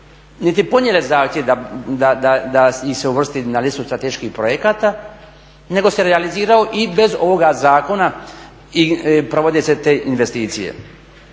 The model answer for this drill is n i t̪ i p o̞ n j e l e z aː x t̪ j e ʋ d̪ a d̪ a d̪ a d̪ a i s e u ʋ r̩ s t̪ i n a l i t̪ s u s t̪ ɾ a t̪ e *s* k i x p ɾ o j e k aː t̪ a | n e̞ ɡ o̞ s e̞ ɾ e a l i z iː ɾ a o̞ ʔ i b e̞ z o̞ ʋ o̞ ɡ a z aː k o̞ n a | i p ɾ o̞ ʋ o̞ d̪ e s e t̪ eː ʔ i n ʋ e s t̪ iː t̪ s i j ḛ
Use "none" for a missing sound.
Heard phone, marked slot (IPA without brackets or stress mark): ʃ